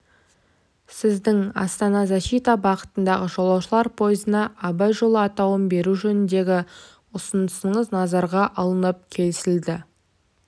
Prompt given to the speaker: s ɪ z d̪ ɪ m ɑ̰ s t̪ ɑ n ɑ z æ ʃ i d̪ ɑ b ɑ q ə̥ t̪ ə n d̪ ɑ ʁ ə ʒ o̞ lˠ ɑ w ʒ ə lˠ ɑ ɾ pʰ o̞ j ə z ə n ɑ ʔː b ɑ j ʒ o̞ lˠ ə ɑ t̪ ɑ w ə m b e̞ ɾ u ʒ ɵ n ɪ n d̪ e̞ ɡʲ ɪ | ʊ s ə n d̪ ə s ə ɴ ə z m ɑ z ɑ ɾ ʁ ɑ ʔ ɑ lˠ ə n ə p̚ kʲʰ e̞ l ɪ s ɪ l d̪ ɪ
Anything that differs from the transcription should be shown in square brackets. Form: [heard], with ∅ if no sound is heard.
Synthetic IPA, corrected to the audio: s ɪ z d̪ ɪ [ŋ] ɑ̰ s t̪ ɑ n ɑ z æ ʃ i [t̪] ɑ b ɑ q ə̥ t̪ ə n d̪ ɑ ʁ ə ʒ o̞ lˠ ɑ w [ʃ] ə lˠ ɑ ɾ pʰ o̞ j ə z ə n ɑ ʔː b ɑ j ʒ o̞ lˠ ə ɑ t̪ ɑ w ə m b e̞ ɾ u ʒ ɵ n ɪ n d̪ e̞ ɡʲ ɪ | ʊ s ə n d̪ ə s ə ɴ ə z [n] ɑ z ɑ ɾ ʁ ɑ ʔ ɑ lˠ ə n ə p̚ kʲʰ e̞ l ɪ s ɪ l d̪ ɪ